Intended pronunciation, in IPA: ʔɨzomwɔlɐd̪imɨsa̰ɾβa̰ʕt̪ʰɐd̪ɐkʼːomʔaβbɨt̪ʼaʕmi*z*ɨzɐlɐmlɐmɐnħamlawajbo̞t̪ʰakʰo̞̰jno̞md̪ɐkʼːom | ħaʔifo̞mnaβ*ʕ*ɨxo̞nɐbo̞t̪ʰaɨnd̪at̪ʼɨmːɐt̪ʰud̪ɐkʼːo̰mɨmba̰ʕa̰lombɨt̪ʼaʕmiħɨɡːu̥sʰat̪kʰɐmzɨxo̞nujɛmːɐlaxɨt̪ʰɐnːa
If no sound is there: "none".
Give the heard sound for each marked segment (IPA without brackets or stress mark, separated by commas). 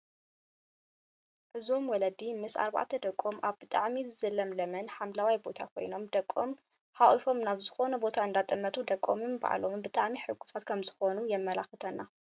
z, z